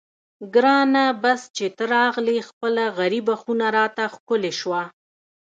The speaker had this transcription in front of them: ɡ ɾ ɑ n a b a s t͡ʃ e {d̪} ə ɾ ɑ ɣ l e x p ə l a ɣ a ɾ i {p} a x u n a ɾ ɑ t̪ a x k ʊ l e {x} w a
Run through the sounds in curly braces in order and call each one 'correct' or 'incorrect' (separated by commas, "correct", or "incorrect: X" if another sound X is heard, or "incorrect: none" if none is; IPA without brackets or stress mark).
incorrect: t̪, incorrect: b, incorrect: ʃ